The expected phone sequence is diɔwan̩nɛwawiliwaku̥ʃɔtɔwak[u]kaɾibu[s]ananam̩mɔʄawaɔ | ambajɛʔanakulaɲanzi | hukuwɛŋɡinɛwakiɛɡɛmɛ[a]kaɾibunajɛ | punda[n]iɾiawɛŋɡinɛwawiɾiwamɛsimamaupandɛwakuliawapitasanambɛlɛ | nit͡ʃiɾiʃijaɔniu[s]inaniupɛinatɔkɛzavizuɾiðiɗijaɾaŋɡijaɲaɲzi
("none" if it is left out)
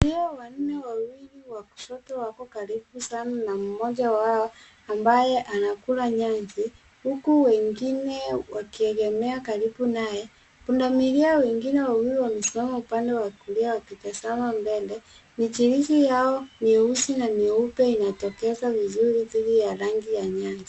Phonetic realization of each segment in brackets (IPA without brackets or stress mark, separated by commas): ɔ, s, a, m, s